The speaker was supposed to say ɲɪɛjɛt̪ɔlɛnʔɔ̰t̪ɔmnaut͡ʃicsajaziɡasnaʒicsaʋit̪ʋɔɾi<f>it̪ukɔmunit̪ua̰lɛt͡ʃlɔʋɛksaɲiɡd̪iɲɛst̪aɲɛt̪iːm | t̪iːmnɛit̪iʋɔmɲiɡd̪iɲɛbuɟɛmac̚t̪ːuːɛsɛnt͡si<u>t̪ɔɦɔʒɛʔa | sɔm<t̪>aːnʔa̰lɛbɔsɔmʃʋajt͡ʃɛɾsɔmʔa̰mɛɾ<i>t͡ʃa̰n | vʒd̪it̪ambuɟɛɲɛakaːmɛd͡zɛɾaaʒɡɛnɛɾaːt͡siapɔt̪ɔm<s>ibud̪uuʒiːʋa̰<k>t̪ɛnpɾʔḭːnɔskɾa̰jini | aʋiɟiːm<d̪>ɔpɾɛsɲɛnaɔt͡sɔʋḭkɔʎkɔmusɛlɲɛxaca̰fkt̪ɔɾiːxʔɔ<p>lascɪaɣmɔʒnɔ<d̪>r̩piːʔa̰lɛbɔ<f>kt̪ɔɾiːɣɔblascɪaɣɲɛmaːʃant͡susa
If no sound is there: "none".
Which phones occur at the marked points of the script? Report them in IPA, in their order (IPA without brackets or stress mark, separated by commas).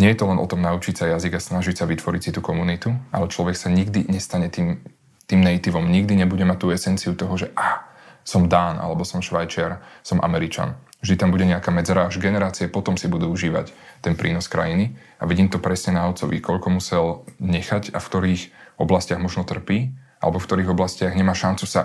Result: s, u, d̪, i, s, c, t̪, b, t̪, f